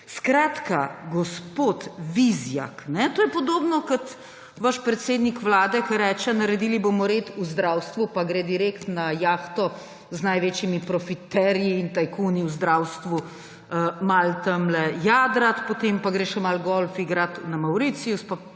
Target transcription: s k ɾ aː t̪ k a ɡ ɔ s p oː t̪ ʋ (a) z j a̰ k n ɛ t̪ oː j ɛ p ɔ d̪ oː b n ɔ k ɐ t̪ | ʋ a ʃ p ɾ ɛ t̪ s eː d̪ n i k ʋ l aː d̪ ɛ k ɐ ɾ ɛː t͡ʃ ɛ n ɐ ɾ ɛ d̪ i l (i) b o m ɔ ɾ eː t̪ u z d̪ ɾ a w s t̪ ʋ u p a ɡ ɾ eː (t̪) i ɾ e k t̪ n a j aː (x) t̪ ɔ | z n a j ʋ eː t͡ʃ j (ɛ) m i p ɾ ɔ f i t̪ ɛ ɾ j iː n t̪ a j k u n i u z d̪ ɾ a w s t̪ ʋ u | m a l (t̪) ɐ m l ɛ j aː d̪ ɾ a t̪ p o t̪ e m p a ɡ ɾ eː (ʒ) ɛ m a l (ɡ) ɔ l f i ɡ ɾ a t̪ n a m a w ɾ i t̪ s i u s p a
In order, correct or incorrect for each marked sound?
incorrect: i, correct, incorrect: d̪, correct, incorrect: i, correct, incorrect: ʃ, correct

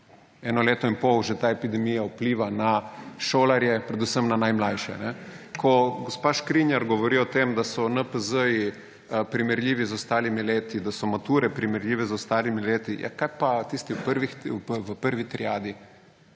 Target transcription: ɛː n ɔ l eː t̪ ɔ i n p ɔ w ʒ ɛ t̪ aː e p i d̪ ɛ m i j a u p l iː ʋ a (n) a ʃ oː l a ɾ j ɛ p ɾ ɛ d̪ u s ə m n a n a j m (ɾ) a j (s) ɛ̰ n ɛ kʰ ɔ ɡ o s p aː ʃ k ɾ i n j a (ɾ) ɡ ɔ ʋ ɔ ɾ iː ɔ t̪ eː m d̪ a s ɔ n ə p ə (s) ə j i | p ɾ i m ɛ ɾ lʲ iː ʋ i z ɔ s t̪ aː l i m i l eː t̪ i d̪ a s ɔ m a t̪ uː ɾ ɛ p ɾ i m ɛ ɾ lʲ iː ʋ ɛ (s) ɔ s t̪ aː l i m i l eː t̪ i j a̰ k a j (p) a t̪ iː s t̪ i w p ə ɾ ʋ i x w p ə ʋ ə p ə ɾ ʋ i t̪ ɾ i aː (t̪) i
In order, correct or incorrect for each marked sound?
correct, incorrect: l, incorrect: ʃ, correct, incorrect: z, incorrect: z, correct, incorrect: d̪

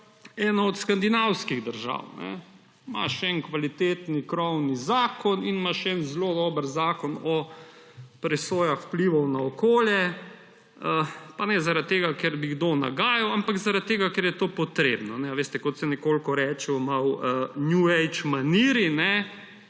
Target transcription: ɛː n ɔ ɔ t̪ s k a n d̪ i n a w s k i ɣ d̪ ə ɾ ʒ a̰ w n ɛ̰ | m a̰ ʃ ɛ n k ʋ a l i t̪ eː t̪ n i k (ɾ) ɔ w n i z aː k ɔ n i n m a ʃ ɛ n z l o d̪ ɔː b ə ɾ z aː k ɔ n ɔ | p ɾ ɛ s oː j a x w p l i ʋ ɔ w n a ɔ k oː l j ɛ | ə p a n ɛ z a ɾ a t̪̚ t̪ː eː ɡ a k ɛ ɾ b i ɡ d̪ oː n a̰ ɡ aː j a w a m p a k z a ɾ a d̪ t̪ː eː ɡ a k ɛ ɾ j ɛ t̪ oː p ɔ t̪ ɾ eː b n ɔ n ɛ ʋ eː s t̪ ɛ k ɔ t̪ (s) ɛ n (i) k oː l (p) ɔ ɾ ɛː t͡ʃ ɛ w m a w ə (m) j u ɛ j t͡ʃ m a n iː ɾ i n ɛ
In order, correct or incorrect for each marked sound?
correct, correct, incorrect: ɛ, incorrect: k, incorrect: n

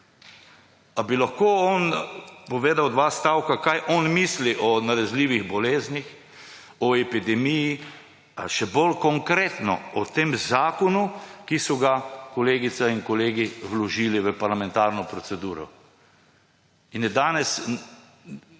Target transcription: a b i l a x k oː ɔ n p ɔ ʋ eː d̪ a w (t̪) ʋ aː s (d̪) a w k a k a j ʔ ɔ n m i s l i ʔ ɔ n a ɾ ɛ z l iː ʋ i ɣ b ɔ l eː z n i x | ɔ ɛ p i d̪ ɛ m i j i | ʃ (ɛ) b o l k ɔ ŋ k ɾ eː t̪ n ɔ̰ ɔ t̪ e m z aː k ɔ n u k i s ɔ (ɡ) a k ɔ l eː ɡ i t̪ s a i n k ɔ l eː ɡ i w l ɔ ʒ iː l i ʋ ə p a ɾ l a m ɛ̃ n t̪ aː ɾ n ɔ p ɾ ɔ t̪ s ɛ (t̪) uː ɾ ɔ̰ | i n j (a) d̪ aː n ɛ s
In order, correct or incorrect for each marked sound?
incorrect: d̪, incorrect: t̪, correct, correct, incorrect: d̪, incorrect: ɛ

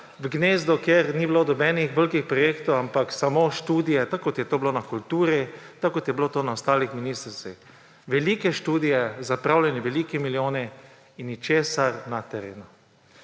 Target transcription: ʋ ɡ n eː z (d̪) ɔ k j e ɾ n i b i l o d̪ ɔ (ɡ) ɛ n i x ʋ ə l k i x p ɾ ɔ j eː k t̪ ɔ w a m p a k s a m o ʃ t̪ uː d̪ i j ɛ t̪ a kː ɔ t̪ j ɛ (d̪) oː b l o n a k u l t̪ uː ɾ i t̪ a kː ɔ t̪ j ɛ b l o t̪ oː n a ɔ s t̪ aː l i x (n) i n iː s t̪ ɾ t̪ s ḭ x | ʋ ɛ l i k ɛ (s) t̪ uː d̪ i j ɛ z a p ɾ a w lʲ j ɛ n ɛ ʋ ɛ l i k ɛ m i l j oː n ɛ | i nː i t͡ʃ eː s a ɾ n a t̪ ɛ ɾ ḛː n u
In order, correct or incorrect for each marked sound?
correct, incorrect: b, incorrect: t̪, incorrect: m, incorrect: ʃ

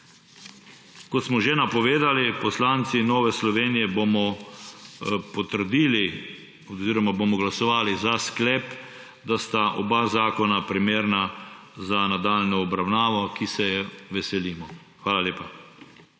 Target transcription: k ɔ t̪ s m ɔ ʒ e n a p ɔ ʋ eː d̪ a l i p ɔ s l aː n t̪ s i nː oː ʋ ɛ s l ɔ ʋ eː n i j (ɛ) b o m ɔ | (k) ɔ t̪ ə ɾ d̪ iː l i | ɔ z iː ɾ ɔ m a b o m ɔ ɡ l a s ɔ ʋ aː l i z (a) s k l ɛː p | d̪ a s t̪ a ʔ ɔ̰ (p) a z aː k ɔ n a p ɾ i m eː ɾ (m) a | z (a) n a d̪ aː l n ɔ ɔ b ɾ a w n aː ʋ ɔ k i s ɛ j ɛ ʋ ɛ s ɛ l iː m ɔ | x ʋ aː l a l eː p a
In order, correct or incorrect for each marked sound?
correct, incorrect: p, correct, incorrect: b, incorrect: n, correct

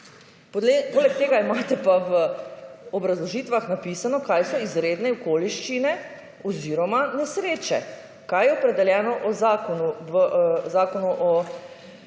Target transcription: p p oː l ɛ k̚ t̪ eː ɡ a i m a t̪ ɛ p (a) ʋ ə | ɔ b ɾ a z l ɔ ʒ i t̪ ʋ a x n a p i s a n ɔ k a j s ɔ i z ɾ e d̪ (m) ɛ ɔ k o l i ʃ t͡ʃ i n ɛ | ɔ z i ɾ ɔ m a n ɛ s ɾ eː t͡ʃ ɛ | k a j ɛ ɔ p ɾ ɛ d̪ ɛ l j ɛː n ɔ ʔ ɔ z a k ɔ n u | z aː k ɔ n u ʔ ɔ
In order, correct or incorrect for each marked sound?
correct, incorrect: n

